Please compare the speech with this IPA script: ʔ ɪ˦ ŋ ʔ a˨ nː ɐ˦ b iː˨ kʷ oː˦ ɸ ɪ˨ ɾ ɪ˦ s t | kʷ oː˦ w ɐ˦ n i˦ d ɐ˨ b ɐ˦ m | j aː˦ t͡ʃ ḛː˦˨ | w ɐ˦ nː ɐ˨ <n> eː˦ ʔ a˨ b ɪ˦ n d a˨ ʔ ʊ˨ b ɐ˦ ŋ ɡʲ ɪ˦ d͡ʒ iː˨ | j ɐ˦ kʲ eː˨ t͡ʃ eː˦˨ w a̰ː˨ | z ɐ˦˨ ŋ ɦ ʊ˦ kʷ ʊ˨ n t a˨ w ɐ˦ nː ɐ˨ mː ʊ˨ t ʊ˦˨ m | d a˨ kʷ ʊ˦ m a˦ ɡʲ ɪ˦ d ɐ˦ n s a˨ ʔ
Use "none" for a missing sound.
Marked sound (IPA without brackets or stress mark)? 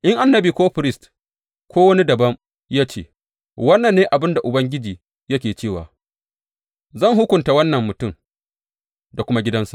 nː